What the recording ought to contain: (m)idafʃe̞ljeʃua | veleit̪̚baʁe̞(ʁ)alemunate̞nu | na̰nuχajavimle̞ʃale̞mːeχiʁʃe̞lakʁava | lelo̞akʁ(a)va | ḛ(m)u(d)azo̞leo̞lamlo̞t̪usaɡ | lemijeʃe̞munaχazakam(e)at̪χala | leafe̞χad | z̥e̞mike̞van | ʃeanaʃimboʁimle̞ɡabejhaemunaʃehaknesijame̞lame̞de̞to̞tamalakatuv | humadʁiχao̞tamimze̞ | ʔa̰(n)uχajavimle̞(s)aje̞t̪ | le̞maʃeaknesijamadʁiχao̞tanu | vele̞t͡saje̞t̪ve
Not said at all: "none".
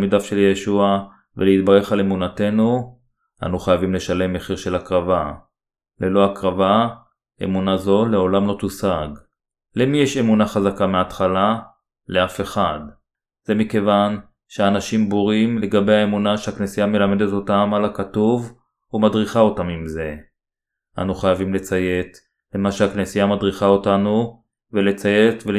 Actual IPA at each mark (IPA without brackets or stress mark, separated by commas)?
m, χ, a, m, n, e, n, t͡s